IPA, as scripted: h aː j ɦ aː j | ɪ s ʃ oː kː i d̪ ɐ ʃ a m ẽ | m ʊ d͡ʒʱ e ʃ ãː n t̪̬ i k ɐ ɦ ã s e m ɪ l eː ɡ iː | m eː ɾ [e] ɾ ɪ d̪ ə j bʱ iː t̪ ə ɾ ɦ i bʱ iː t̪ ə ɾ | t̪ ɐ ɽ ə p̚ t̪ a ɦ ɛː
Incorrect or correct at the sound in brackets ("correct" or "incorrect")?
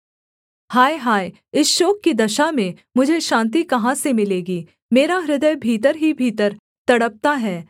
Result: incorrect